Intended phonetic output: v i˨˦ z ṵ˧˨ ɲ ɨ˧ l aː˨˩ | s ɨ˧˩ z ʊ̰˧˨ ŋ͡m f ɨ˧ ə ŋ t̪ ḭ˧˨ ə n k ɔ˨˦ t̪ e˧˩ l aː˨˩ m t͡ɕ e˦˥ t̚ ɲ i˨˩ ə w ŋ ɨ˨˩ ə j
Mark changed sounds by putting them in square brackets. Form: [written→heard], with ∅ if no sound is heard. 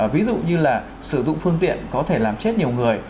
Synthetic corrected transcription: v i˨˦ z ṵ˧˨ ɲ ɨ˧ l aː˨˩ | s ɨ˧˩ z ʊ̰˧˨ ŋ͡m f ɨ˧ ə ŋ t̪ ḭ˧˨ ə n k ɔ˨˦ [t̪→t̪ʰ] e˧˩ l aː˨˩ m t͡ɕ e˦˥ t̚ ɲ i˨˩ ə w ŋ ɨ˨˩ ə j